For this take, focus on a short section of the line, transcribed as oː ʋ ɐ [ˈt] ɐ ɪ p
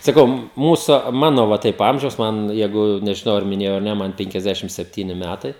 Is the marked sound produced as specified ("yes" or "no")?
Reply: yes